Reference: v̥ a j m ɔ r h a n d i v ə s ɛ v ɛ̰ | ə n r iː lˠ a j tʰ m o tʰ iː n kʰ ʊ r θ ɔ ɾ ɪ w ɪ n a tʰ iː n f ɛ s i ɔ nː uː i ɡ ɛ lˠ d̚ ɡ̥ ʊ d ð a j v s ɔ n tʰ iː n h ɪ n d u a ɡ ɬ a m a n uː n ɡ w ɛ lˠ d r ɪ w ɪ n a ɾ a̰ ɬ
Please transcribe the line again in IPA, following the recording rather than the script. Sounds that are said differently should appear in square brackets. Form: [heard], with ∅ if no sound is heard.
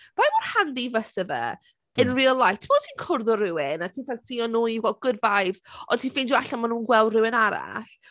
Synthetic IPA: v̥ a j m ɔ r h a n d i v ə s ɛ v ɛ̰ | ə n r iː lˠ a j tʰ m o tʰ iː n kʰ ʊ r [ð] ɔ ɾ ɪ w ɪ n a tʰ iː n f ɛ s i ɔ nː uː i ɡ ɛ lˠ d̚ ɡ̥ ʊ d [v] a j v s ɔ n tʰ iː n [f] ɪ n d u a [∅] ɬ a m a n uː n ɡ w ɛ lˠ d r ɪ w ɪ n a ɾ a̰ ɬ